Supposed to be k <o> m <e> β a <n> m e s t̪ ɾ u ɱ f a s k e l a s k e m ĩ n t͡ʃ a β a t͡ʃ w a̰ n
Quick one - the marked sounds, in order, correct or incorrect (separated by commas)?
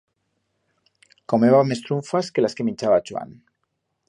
correct, correct, incorrect